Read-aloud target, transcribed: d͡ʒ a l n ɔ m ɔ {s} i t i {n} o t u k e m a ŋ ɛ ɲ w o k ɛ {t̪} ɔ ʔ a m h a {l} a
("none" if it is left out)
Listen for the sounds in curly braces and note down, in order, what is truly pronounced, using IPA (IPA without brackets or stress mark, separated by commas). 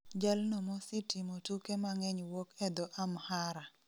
s, m, d̪, ɾ